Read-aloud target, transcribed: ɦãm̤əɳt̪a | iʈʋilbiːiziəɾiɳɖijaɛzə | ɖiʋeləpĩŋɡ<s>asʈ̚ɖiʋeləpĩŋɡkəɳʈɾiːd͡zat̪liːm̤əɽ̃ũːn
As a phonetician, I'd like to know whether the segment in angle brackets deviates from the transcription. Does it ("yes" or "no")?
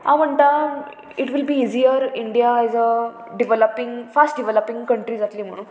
yes